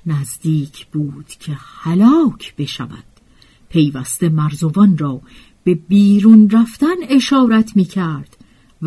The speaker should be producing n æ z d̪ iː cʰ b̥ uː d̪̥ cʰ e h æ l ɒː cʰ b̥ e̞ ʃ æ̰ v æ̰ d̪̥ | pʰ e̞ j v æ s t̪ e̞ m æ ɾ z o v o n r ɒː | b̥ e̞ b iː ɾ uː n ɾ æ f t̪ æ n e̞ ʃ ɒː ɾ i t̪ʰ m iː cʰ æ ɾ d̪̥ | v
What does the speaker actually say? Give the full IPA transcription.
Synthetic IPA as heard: n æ z d̪ iː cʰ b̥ uː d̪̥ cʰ e h æ l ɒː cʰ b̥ e̞ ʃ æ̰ v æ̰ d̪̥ | pʰ e̞ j v æ s t̪ e̞ m æ ɾ z o v ɒ n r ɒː | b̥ e̞ b iː ɾ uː n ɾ æ f t̪ æ n e̞ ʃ ɒː ɾ æ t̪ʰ m iː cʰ æ ɾ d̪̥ | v